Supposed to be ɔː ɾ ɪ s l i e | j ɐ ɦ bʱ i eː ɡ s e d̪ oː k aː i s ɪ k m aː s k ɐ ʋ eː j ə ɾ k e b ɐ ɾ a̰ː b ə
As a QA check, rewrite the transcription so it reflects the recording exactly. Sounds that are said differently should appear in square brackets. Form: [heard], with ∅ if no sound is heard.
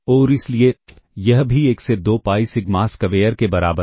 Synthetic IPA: ɔː ɾ ɪ s l i e | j ɐ ɦ bʱ i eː [k] s e d̪ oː [p] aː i s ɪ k m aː s k ɐ ʋ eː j ə ɾ k e b ɐ ɾ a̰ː b ə